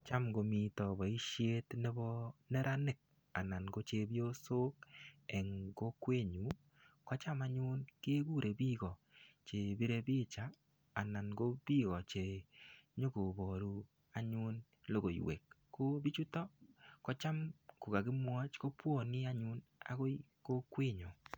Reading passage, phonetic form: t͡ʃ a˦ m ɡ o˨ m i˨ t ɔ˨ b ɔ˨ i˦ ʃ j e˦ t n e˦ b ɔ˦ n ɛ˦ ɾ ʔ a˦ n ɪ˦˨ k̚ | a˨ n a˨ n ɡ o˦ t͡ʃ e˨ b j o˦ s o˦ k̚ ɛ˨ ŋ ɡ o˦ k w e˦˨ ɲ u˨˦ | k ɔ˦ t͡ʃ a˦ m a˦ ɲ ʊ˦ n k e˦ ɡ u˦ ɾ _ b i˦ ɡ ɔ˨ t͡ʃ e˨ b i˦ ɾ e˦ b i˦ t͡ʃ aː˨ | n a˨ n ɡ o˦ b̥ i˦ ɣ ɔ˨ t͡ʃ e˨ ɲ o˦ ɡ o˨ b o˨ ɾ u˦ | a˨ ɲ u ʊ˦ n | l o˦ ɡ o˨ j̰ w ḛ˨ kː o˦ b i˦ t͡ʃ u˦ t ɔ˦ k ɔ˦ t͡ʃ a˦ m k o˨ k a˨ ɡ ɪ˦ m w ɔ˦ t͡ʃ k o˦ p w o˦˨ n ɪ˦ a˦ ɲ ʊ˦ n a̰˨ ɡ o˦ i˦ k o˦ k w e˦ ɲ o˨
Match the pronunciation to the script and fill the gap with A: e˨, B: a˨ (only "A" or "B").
A